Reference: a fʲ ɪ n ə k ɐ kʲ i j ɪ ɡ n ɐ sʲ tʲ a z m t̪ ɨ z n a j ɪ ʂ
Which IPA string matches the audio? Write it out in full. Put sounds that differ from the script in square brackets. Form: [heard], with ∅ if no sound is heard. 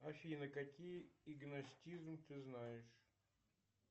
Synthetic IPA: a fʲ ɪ n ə k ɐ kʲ i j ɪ ɡ n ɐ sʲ tʲ [i] z m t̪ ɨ z n a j ɪ ʂ